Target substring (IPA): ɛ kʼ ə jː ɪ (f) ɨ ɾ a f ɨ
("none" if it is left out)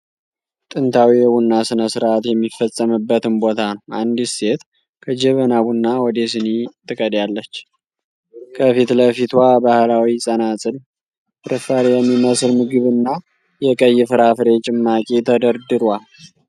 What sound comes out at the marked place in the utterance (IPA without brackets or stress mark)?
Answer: f